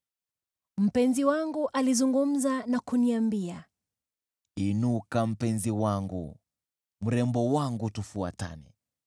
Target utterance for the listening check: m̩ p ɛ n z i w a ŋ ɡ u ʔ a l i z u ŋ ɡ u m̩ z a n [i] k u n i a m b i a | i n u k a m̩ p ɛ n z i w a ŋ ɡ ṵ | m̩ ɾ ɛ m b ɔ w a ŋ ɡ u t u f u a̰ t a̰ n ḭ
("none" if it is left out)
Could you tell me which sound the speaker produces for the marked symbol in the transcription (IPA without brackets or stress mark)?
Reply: a